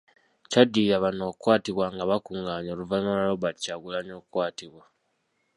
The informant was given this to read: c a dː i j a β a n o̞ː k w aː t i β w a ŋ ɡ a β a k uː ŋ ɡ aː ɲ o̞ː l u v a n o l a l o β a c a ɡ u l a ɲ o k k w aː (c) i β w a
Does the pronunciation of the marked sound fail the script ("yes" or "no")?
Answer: yes